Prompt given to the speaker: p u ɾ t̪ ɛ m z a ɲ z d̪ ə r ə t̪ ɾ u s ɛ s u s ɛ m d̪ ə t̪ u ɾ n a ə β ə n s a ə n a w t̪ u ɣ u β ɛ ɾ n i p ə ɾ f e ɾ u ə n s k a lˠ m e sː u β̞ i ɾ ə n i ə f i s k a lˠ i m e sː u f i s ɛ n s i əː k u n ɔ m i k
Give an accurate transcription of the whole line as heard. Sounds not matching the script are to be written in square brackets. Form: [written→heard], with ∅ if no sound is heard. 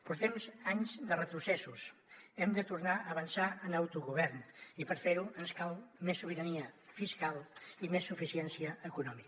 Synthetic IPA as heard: p u ɾ t̪ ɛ m z a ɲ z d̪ ə r ə t̪ ɾ u s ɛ s u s ɛ m d̪ ə t̪ u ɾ n a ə β ə n s a ə n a w t̪ u ɣ u β ɛ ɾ n i p ə ɾ f e ɾ u ə n s k a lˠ m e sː u β̞ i ɾ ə n i ə f i s k a lˠ i m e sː u f i s ɛ n s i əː k u n ɔ m i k